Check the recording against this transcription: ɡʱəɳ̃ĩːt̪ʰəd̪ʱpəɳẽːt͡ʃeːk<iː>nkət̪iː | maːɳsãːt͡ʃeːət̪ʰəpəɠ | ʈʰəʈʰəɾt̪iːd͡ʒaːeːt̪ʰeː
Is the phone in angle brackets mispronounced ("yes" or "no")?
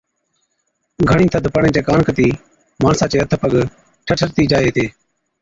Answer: yes